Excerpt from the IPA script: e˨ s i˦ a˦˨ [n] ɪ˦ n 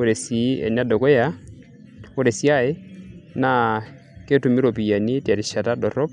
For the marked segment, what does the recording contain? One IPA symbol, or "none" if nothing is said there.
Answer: none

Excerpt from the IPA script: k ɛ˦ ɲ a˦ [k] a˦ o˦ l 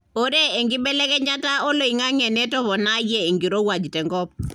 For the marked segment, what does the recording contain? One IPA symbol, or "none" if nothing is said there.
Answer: t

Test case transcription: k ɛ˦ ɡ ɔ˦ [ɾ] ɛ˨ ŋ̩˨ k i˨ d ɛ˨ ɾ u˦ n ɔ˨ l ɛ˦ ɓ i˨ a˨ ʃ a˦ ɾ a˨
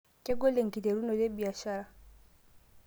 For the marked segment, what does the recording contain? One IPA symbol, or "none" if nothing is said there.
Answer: l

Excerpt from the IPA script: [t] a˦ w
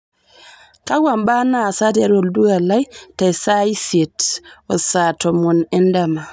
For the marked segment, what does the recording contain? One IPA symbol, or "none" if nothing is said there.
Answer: k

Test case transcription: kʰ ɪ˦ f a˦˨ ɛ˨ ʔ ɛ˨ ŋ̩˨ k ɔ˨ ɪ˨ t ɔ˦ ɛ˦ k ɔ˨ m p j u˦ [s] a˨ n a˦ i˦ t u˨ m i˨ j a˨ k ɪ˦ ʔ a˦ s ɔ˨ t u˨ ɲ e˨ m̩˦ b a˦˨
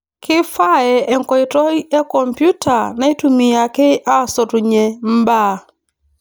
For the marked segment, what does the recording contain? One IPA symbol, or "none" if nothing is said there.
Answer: t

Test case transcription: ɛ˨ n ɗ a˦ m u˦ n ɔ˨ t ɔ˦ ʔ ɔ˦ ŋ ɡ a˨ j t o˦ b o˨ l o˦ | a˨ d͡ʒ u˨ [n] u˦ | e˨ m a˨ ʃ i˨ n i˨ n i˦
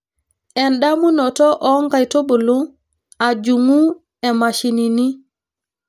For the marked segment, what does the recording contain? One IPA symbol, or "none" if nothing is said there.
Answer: ŋ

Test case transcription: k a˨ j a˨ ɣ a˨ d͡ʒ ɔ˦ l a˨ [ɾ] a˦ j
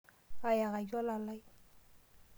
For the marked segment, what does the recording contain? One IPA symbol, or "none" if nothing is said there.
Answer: l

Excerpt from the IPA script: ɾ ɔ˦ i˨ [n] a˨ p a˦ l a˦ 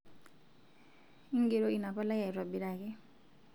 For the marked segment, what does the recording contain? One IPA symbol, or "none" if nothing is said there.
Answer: n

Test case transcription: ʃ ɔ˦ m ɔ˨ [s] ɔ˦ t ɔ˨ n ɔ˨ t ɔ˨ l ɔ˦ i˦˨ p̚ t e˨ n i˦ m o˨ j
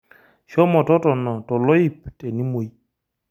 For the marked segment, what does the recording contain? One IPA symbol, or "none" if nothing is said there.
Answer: t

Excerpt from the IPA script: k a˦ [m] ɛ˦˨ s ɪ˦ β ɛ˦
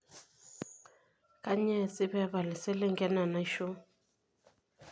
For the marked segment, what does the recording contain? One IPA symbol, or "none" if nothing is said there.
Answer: ɲ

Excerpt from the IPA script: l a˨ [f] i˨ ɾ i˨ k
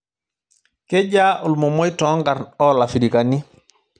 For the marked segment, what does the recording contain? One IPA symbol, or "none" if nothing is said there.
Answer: f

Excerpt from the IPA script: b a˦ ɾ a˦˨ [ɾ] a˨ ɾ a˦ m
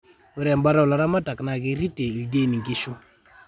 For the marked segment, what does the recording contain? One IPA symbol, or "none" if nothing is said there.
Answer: l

